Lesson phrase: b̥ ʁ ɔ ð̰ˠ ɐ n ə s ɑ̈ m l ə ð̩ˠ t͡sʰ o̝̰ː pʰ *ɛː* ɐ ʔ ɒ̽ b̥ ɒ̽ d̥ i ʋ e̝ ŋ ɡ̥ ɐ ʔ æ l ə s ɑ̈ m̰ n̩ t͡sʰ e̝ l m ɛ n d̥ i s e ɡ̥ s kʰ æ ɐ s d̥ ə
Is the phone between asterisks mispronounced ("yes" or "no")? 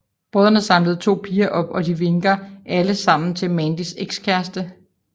yes